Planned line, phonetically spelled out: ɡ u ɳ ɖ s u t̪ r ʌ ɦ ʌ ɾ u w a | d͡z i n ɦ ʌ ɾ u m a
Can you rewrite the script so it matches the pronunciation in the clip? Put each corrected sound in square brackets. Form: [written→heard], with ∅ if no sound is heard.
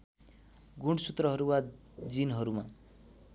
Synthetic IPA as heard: ɡ u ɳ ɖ s u t̪ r ʌ ɦ ʌ ɾ u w a | d͡z i n ɦ ʌ ɾ u m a